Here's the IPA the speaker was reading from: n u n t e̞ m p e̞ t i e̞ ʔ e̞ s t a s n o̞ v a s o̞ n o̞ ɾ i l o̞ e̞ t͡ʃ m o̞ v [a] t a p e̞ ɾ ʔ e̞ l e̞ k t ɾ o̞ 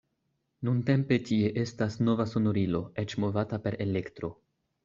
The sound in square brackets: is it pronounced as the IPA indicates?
yes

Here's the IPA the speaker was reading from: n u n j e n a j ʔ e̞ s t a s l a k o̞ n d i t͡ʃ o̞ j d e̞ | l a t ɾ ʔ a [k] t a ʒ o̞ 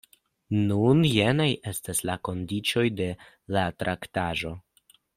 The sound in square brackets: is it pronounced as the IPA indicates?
yes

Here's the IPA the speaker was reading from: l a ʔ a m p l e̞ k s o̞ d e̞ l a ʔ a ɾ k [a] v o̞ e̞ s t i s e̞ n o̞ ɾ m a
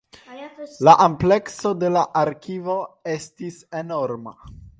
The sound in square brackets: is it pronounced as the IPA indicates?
no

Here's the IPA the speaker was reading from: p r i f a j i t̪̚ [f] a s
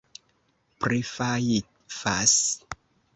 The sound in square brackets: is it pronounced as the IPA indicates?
yes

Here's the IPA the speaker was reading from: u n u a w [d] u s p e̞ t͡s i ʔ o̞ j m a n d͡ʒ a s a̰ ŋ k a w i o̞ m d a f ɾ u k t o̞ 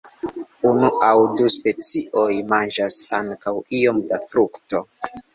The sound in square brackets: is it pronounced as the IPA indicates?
yes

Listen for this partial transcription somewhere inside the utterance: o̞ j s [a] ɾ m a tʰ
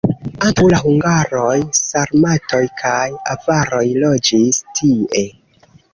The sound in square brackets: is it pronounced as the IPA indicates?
yes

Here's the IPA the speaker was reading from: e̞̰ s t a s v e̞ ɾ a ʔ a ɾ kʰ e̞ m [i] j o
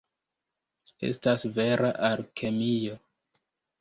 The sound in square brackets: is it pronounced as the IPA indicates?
yes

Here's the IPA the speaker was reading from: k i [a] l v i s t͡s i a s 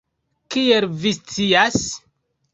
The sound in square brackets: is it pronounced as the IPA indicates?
no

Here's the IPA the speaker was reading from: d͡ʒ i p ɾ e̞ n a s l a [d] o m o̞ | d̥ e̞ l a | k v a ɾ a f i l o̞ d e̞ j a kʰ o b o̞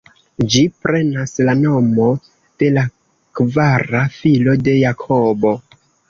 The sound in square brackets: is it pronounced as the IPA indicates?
no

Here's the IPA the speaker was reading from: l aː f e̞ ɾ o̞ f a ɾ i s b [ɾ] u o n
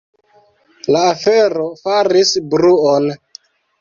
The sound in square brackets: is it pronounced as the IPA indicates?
yes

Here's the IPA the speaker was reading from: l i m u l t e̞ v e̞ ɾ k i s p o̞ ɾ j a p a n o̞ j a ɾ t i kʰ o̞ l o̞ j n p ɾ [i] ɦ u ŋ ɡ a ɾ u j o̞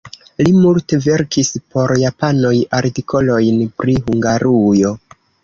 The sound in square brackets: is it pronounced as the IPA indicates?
yes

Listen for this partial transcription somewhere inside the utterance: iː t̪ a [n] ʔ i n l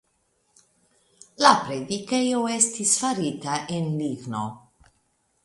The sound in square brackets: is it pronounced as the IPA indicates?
no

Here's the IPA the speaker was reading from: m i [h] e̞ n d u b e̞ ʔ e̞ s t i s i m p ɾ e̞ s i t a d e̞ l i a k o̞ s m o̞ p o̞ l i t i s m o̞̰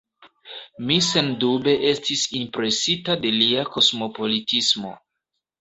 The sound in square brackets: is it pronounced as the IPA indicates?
no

